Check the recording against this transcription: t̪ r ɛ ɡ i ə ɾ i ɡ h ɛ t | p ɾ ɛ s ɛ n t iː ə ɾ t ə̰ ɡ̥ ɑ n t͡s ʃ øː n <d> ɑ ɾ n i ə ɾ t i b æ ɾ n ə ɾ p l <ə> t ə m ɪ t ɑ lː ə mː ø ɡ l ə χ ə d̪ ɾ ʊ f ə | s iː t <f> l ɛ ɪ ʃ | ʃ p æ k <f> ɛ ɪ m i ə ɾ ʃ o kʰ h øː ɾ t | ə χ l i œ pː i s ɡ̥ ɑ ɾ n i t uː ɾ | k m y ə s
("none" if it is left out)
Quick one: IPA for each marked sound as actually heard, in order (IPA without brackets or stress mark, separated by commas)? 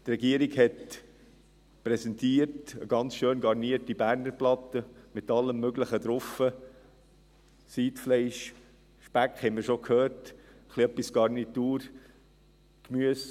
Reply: ɡ, ɑ, f, h